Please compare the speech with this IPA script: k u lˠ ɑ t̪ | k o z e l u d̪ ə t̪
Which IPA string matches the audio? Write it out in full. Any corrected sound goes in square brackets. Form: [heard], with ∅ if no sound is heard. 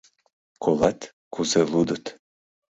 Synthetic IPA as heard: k [o] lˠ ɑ t̪ | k [u] z e l u d̪ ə t̪